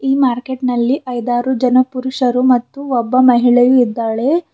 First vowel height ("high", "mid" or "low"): high